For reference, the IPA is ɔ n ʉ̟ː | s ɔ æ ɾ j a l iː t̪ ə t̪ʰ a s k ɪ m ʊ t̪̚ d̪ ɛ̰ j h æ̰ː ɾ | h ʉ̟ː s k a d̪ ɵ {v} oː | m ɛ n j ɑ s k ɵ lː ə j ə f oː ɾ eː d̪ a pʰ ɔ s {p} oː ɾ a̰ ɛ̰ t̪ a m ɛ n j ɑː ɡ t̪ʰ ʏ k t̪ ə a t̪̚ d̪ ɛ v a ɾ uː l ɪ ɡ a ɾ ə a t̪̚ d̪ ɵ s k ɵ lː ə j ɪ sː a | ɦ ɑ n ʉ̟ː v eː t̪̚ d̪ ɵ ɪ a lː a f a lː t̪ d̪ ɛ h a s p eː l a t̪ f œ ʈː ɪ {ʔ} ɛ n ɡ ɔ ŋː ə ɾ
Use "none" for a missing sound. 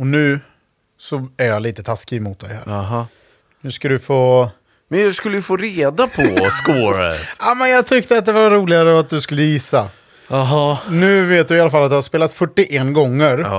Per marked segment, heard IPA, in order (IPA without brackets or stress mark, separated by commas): f, k, ʔ